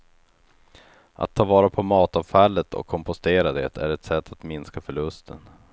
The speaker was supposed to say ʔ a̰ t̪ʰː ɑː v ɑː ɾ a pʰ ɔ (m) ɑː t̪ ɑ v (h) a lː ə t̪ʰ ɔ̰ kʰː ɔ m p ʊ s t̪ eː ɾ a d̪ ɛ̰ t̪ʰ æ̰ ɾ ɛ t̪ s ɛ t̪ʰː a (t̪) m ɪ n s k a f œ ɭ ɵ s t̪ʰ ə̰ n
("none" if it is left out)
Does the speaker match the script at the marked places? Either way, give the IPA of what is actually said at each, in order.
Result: m, f, t̪

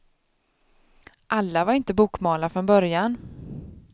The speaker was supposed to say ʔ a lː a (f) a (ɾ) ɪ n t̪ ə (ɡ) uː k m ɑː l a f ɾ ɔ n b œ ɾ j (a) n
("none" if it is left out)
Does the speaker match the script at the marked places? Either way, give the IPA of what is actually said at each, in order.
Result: v, ɾ, b, a

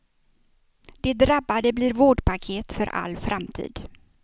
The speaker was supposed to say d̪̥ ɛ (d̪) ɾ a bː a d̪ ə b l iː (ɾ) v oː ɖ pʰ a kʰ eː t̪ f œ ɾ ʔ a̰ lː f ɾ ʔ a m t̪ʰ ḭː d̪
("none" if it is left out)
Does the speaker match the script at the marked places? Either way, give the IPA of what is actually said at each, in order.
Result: d̪, ɾ

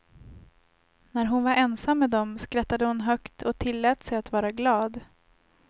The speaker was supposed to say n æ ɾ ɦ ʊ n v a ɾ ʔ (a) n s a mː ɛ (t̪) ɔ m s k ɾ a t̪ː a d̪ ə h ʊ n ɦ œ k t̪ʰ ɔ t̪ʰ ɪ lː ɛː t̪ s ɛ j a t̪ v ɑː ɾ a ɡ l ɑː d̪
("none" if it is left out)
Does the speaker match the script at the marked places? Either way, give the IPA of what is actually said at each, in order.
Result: ɛ, d̪

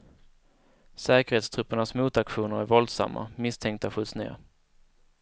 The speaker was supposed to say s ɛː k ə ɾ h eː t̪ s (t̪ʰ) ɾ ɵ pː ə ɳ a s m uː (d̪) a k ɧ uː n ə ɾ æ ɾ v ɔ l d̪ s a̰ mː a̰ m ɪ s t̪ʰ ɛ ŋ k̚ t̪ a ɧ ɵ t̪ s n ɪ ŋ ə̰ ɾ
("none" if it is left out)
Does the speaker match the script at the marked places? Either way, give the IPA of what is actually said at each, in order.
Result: t̪ʰ, t̪

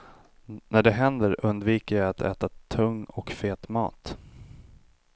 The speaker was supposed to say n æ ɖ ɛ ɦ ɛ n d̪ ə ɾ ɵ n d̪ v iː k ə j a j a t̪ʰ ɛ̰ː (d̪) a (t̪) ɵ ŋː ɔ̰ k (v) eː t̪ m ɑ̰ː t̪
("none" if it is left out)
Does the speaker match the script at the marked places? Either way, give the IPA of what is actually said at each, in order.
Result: t̪, t̪ʰ, f

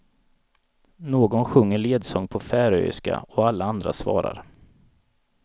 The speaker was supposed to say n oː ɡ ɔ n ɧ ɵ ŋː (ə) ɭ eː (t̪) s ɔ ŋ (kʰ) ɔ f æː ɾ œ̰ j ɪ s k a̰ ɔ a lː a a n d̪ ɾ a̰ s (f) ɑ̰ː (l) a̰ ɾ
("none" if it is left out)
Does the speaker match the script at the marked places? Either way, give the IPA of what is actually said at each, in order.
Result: ə, d̪, pʰ, v, ɾ

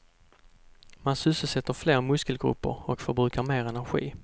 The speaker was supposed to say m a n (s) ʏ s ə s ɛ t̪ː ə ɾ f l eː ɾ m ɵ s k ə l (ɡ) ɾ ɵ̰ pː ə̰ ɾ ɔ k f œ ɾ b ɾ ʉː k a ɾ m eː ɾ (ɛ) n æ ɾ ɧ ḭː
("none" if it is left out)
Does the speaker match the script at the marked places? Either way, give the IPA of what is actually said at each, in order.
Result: s, ɡ, ɛ

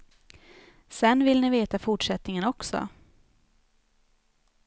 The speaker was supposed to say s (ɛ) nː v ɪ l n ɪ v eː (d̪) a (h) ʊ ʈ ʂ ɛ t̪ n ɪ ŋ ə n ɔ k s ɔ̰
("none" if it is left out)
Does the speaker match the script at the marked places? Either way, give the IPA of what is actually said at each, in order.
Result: ɛ, t̪, f

